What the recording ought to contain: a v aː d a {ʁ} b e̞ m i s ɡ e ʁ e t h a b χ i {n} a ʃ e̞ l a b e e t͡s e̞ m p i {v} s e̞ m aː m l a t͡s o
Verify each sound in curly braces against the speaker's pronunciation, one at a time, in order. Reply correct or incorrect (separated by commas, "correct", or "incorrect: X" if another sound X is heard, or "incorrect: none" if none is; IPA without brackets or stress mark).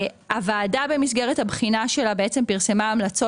incorrect: none, correct, incorrect: ʁ